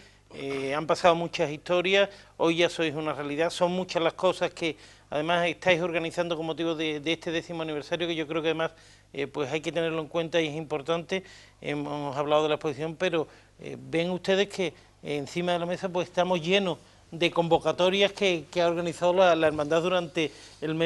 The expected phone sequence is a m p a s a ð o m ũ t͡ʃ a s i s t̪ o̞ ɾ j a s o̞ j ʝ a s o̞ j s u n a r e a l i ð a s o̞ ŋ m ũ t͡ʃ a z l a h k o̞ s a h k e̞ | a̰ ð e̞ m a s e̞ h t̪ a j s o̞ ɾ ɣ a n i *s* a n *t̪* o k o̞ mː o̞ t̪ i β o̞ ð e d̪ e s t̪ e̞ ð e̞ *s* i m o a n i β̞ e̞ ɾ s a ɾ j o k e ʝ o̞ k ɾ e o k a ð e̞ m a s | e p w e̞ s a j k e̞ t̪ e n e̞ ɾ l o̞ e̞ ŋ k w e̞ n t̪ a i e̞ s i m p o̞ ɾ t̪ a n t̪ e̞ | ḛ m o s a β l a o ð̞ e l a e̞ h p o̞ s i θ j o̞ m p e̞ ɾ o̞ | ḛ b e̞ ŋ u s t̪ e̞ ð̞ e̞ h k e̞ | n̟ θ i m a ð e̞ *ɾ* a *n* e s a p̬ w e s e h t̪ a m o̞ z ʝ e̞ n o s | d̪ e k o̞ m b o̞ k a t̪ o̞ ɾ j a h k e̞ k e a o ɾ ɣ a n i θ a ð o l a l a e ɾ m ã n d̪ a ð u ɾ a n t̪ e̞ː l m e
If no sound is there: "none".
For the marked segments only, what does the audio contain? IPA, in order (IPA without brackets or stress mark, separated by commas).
θ, d̪, θ, l, m